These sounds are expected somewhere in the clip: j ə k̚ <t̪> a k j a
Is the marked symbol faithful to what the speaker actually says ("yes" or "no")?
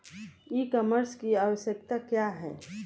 yes